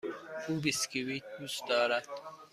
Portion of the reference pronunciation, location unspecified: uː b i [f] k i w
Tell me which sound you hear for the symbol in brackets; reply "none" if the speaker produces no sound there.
s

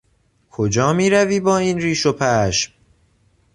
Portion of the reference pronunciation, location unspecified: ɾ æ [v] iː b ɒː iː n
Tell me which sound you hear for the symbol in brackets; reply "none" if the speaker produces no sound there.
v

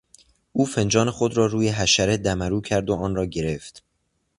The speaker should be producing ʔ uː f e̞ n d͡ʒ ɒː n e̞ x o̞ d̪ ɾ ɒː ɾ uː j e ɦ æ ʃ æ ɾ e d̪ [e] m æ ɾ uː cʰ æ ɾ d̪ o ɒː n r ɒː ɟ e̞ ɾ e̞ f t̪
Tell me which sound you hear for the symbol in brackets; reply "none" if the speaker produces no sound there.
æ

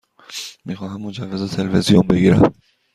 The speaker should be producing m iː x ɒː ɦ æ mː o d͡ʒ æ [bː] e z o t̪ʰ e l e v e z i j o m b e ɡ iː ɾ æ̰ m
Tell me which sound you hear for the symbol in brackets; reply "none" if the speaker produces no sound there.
vː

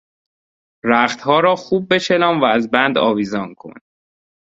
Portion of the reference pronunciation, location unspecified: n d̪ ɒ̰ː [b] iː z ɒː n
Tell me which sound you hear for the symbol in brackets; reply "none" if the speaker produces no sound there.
v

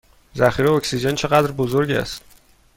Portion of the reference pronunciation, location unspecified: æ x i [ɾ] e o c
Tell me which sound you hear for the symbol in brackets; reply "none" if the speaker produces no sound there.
ɾ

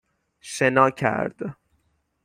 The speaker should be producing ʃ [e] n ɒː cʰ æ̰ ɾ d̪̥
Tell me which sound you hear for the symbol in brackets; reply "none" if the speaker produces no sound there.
e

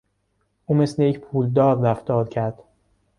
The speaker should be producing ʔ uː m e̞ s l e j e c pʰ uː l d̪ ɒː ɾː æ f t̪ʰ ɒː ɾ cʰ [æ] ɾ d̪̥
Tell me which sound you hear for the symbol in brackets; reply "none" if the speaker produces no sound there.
æ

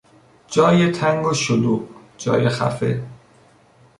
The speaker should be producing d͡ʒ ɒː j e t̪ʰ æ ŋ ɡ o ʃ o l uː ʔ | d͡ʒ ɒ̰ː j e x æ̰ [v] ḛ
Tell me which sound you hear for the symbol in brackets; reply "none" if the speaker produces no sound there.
f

